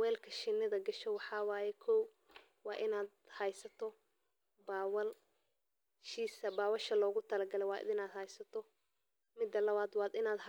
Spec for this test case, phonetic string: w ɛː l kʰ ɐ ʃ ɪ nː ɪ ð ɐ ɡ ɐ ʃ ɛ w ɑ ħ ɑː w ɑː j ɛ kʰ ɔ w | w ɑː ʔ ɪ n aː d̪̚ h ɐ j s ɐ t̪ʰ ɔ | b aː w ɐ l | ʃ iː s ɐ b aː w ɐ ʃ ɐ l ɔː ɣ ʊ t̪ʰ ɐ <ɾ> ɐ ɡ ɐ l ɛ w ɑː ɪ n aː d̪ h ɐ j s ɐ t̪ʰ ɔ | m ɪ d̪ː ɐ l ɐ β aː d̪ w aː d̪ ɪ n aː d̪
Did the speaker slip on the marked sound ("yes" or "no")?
yes